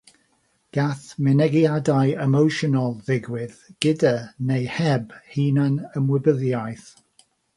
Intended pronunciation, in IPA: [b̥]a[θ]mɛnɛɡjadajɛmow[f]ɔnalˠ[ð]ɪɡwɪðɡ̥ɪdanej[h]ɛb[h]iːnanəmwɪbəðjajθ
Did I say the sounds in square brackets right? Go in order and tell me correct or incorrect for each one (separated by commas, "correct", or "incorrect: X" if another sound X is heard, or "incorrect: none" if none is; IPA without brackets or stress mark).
incorrect: ɡ̥, correct, incorrect: ʃ, correct, correct, correct